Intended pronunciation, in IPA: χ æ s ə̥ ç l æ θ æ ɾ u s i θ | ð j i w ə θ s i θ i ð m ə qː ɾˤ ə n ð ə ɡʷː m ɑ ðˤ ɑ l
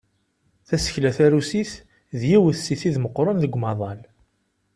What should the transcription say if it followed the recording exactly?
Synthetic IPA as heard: θ æ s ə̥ ç l æ θ æ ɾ u s i θ | ð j i w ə θ s i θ i ð m ə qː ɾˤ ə n ð ə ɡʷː m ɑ ðˤ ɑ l